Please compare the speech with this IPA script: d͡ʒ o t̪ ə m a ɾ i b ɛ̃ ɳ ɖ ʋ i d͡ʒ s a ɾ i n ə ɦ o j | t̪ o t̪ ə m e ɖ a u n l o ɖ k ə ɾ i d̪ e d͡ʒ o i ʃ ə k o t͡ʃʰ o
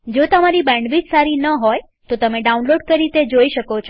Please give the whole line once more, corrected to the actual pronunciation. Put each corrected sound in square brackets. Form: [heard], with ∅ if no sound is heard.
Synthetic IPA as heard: d͡ʒ o t̪ ə m a ɾ i b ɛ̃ ɳ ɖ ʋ i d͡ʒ s a ɾ i n ə ɦ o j | t̪ o t̪ ə m e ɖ a u n l o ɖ k ə ɾ i [t̪] e d͡ʒ o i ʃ ə k o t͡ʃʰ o